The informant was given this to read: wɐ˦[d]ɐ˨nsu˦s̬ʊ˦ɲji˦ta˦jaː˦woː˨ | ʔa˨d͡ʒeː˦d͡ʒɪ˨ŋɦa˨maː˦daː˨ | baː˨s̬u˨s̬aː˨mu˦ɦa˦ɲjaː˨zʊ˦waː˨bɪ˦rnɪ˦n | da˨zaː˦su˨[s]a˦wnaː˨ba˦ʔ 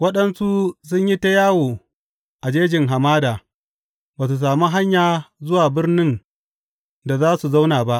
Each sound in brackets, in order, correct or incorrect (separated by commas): incorrect, incorrect